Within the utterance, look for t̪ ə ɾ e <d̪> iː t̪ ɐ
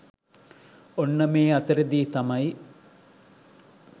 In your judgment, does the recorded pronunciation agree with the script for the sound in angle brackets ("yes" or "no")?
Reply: yes